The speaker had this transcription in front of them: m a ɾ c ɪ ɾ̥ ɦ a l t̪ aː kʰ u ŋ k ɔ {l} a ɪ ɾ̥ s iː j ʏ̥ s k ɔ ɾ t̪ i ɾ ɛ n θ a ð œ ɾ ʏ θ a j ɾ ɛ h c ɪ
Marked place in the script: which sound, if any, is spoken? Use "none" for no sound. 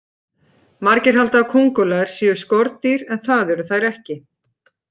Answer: l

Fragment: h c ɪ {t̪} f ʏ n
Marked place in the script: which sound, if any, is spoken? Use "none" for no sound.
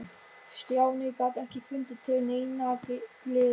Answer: none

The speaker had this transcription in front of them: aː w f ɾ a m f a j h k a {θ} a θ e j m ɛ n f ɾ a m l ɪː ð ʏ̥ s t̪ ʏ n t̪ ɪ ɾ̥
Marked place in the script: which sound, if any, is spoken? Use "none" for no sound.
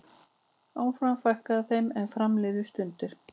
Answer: ð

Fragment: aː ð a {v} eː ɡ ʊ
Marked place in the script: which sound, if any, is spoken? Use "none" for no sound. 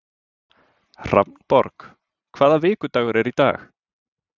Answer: v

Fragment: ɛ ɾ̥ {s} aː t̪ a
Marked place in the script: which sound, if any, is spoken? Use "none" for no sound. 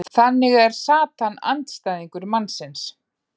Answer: s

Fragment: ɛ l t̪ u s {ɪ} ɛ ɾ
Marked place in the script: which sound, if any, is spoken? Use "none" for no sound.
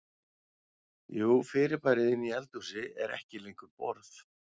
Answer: ɪ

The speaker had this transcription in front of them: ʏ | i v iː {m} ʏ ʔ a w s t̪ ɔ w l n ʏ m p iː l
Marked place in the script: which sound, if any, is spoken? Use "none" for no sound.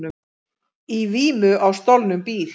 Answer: m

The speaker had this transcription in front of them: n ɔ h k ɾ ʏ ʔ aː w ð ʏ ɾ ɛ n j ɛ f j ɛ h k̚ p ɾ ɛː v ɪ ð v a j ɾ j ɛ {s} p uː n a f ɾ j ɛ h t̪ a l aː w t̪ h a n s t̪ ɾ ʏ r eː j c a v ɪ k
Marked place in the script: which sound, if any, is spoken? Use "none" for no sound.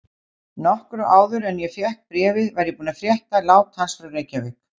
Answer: none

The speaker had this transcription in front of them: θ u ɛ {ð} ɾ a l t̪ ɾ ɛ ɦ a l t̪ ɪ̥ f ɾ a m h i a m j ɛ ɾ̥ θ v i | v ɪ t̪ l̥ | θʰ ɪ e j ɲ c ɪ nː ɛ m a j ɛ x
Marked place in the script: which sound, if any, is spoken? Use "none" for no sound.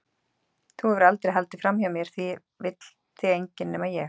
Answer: v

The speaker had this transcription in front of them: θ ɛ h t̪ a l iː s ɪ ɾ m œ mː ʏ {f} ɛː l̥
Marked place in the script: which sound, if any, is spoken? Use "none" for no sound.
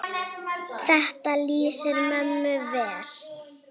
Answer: v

